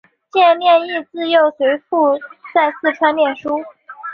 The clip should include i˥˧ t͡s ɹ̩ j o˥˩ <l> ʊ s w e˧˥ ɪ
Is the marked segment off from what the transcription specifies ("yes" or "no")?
yes